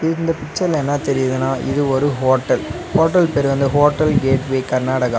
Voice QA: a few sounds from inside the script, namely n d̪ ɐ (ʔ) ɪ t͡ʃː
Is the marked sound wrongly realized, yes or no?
yes